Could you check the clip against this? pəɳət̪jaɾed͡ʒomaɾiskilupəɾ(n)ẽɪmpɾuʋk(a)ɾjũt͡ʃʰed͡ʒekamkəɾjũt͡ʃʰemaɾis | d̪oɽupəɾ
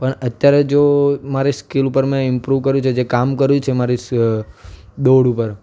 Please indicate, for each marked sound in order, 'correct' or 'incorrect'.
incorrect, incorrect

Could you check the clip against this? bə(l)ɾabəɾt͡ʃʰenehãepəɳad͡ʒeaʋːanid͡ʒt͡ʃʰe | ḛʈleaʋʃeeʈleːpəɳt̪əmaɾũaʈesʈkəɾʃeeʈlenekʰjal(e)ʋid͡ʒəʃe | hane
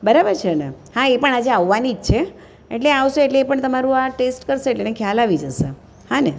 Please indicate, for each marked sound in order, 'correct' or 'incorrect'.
incorrect, incorrect

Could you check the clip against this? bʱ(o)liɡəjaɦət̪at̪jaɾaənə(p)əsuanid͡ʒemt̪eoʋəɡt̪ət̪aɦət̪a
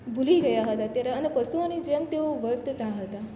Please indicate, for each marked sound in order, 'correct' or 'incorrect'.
incorrect, correct

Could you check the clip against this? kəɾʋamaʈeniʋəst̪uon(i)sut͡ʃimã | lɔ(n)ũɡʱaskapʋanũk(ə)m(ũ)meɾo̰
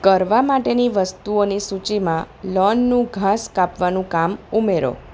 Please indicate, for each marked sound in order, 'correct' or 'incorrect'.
correct, incorrect, incorrect, incorrect

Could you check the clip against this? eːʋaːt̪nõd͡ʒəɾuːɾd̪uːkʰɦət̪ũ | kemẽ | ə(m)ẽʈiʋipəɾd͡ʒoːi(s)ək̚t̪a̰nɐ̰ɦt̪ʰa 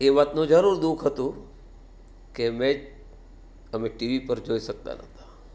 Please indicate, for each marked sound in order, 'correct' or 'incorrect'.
correct, correct

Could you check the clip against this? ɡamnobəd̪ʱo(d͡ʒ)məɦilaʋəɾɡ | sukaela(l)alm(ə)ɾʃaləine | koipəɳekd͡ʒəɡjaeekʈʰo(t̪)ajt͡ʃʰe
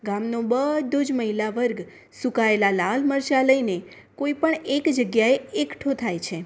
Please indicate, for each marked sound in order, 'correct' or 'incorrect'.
correct, correct, correct, incorrect

